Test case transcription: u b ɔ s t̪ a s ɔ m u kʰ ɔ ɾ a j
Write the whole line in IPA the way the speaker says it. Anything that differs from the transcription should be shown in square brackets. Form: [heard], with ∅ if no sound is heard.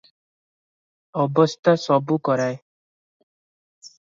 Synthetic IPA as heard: [ɔ] b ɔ s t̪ a s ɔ [b] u [k] ɔ ɾ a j